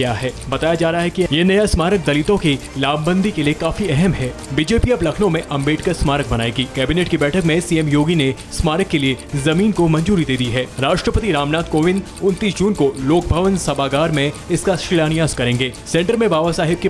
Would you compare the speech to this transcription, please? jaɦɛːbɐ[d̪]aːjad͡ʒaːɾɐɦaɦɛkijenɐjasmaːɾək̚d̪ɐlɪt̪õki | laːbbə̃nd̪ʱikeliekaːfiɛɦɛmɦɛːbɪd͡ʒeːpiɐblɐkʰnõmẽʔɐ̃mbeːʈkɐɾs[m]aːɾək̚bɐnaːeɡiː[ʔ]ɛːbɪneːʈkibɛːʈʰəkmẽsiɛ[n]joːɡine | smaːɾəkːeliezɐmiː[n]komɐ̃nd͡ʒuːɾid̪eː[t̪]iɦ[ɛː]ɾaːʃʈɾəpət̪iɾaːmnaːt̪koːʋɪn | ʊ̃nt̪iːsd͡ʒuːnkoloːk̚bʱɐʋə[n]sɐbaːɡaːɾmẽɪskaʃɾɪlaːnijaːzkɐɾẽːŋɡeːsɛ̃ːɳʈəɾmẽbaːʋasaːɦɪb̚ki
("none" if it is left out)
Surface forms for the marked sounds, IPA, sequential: t̪, m, k, m, n, d̪, ɛː, n

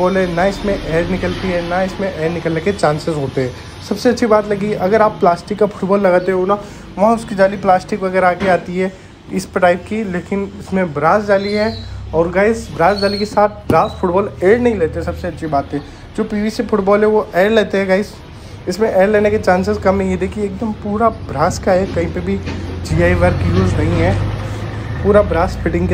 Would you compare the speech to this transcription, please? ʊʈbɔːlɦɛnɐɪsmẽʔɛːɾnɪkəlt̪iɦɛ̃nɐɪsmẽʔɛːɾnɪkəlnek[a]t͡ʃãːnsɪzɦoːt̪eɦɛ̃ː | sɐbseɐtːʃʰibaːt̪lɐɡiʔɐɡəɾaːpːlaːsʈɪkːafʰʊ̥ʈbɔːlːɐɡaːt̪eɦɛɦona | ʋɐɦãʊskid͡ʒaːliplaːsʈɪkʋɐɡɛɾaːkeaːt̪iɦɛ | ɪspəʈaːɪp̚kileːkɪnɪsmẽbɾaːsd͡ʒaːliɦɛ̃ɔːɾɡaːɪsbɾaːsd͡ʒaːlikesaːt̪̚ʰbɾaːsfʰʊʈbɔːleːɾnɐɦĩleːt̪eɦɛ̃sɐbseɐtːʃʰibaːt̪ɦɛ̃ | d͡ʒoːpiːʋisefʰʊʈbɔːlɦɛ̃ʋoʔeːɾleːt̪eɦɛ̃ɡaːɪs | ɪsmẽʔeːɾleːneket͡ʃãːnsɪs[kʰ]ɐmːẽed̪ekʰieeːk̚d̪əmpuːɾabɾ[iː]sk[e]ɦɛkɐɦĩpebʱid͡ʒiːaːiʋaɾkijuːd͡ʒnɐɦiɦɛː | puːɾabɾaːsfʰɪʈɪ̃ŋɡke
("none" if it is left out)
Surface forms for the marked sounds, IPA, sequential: e, k, aː, a

